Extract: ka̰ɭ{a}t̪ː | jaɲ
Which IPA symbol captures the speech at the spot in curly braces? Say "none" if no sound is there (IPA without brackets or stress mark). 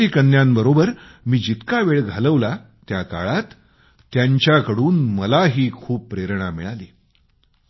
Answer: a